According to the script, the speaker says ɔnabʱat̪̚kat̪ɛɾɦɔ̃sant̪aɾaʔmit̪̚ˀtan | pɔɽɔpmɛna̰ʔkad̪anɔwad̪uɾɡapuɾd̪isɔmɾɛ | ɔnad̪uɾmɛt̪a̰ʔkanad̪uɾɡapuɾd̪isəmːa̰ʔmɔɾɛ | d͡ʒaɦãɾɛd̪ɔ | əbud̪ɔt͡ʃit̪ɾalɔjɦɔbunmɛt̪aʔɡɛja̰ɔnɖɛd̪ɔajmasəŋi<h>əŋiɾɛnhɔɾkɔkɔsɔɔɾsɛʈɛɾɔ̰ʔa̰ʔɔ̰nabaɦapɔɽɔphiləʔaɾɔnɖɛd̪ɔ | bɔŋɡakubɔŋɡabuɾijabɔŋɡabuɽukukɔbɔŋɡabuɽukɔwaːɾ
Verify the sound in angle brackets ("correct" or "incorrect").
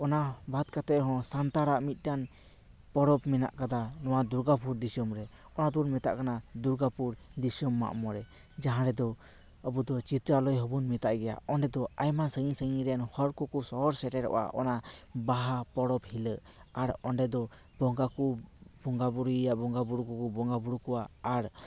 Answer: incorrect